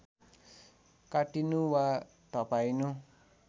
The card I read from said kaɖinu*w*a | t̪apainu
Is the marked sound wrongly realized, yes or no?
no